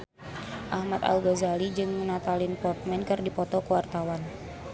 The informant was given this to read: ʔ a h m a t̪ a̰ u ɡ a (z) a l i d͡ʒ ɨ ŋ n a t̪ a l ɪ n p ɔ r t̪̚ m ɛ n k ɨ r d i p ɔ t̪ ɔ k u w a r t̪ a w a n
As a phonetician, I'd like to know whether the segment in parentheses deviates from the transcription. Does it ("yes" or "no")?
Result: no